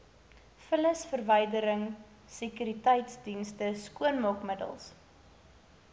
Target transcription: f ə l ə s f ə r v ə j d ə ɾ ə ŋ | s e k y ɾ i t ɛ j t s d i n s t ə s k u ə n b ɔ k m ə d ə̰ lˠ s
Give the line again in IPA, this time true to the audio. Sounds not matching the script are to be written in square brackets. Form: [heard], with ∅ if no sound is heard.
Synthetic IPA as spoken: f ə l ə s f ə r v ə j d ə ɾ ə ŋ | s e k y ɾ i t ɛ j t s d i n s t ə s k u ə n [m] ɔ k m ə d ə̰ lˠ s